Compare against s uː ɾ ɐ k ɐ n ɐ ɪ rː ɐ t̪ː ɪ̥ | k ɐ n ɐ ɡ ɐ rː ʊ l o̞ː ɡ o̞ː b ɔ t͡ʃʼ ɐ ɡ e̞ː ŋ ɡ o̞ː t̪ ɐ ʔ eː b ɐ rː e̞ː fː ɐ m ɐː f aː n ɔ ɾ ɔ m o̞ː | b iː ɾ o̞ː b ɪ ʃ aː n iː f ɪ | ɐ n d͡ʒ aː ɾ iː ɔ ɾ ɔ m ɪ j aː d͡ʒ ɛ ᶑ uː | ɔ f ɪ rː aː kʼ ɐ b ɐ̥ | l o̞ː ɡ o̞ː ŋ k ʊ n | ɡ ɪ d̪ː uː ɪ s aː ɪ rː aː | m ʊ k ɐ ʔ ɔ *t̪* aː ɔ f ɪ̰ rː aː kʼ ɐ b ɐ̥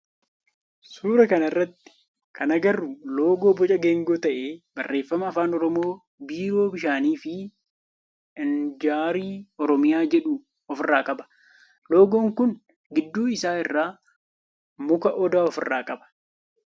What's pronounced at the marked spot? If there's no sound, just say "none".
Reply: d̪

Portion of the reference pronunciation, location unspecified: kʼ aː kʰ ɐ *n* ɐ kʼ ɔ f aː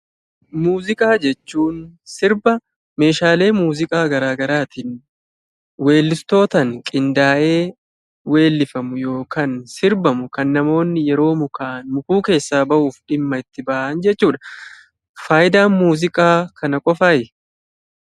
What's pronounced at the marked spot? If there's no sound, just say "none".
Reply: n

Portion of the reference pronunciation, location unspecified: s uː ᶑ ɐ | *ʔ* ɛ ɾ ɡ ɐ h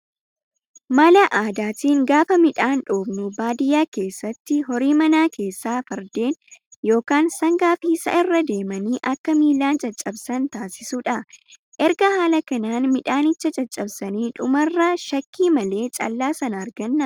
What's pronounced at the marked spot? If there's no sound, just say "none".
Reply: ʔ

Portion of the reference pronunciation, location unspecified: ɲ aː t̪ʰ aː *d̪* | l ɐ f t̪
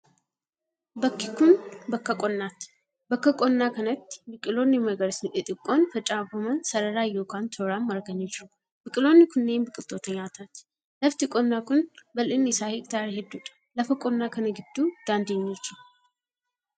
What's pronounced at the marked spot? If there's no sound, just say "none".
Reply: t̪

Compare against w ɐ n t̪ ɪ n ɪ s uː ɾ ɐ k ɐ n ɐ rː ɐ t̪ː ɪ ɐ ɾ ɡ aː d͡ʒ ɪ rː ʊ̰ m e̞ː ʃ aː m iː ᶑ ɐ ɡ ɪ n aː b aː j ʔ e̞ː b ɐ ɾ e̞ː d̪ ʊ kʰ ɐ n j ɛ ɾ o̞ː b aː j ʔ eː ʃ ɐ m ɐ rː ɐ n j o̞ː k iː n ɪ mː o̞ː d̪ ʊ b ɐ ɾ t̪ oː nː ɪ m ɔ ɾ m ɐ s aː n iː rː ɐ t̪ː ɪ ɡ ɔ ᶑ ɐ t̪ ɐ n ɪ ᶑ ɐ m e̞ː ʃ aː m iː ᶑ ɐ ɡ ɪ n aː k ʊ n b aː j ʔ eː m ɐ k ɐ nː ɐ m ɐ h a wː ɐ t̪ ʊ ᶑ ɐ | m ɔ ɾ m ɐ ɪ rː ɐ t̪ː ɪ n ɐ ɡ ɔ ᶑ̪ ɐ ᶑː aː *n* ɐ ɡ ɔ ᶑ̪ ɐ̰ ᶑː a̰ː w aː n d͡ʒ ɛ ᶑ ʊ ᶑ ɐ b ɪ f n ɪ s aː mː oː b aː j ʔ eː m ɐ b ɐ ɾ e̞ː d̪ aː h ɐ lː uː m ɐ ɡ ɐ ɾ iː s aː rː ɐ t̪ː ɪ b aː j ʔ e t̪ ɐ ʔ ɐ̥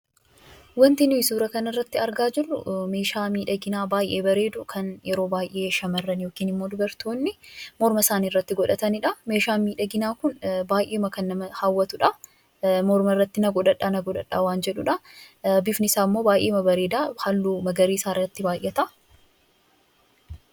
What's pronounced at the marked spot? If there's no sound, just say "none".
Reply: n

